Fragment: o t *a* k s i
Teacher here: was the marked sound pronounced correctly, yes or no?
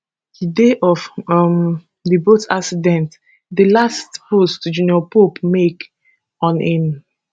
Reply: yes